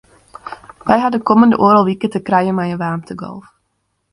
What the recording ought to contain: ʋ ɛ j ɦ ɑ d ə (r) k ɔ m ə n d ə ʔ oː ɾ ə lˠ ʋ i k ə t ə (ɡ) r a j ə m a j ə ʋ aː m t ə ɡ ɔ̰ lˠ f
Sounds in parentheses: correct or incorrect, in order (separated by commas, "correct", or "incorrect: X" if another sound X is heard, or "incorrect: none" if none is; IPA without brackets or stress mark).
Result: incorrect: none, incorrect: k